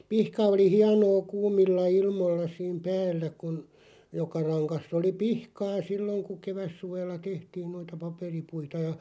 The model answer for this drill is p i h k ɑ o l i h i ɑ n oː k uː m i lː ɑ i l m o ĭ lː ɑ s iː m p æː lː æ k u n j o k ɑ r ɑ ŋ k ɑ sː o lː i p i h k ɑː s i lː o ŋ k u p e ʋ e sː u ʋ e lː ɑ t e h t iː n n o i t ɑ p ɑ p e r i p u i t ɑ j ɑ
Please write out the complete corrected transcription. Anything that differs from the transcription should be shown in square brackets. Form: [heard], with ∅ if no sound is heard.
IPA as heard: p i h k ɑ o l i h i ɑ n oː k uː m i lː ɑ i l m o ĭ lː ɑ s iː m p æː lː æ k u n j o k ɑ r ɑ ŋ k ɑ sː o [l] i p i h k ɑː s i lː o ŋ k u [k] e ʋ [æ] sː u ʋ e lː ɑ t e h t iː n n o i t ɑ p ɑ p e r i p u i t ɑ j ɑ